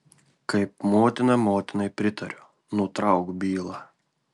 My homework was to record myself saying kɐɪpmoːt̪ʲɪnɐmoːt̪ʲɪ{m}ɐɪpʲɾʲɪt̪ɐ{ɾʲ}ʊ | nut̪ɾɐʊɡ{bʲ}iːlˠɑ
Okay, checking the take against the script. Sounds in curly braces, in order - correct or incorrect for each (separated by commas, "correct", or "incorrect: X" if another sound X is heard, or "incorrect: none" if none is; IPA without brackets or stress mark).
incorrect: n, correct, correct